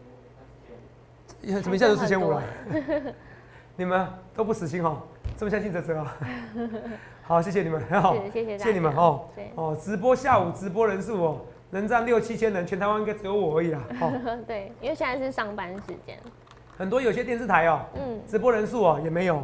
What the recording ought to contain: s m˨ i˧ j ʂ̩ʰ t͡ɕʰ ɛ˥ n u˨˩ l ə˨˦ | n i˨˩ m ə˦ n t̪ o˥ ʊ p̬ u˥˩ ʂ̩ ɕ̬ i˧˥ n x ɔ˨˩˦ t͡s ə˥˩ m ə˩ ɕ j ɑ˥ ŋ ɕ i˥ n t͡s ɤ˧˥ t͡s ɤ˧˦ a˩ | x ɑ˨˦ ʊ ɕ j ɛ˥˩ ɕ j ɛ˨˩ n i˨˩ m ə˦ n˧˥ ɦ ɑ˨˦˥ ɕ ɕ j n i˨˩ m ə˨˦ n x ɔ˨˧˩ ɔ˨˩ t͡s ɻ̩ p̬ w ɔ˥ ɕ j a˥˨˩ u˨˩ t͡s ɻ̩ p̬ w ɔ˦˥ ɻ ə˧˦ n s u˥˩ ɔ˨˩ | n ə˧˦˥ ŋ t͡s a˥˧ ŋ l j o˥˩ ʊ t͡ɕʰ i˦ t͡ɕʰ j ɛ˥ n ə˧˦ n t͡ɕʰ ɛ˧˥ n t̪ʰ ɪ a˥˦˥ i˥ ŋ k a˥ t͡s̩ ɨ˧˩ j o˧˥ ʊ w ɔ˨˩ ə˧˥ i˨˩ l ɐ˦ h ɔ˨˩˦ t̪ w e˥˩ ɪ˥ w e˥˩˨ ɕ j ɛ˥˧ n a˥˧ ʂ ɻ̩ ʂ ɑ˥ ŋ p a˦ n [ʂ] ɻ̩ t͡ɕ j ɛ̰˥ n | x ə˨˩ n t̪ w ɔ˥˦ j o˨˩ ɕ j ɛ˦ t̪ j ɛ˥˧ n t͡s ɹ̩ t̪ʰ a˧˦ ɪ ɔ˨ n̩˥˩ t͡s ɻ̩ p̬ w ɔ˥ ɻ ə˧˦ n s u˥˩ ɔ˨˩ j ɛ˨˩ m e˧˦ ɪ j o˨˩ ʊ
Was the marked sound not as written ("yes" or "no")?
no